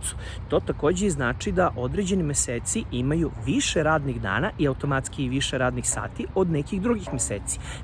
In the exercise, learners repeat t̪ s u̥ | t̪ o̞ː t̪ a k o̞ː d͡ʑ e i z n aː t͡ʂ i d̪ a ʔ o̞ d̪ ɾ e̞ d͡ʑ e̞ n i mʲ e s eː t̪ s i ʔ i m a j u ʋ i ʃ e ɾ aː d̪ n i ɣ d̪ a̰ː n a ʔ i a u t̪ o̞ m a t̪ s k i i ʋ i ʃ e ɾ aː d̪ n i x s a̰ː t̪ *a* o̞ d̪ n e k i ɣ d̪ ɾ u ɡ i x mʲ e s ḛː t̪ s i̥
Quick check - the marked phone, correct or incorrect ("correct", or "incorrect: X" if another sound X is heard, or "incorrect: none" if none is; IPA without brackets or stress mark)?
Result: incorrect: i